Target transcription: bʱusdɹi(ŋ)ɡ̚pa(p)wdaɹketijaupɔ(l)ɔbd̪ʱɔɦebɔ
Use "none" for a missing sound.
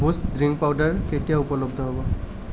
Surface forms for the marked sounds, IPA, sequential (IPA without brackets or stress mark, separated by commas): ŋ, none, l